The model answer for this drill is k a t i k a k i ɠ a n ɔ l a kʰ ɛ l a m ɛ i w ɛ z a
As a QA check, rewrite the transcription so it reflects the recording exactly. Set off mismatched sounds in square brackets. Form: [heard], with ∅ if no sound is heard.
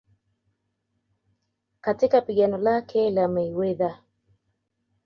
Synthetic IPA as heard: k a t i k a [p] i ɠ a n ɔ l a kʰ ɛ l a m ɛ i w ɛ [ð] a